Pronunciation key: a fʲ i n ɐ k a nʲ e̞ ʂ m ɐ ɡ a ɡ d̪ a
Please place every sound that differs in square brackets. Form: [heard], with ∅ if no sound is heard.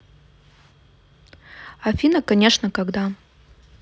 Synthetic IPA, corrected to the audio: a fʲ i n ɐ k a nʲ e̞ ʂ [n] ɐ [k] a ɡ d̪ a